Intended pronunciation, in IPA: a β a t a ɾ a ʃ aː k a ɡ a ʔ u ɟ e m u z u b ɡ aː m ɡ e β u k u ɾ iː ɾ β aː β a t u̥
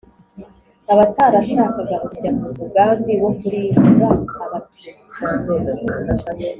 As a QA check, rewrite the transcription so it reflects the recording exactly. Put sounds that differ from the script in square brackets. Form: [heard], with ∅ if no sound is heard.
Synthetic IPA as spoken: a β a t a ɾ a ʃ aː k a ɡ a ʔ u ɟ [a] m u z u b ɡ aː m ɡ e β [o] k u ɾ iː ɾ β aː β a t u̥